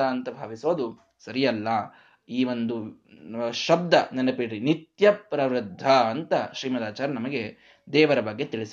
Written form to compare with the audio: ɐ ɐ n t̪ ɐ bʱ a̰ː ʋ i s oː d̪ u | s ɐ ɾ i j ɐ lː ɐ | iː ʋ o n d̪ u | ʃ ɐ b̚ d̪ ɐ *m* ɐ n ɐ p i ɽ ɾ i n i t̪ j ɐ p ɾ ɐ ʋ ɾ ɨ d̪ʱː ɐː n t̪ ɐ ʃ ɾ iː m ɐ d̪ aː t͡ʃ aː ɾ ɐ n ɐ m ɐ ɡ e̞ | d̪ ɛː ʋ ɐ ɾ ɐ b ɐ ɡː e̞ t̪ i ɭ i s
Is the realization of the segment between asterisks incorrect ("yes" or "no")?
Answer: yes